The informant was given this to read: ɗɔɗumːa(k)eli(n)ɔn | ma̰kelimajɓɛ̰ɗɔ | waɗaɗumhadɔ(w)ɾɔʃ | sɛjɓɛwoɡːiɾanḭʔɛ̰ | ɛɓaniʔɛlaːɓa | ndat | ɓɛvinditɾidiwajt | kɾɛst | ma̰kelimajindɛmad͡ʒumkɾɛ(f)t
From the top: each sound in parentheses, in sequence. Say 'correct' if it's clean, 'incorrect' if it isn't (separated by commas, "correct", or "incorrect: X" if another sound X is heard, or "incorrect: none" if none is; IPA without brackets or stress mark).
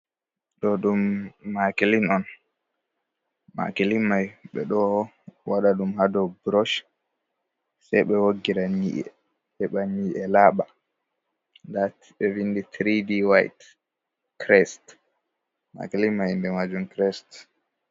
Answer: correct, correct, incorrect: b, incorrect: s